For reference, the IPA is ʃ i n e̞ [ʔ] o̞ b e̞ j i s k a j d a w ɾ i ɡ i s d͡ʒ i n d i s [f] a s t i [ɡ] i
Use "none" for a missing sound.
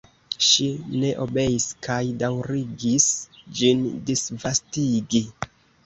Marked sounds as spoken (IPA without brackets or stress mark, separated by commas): ʔ, v, ɡ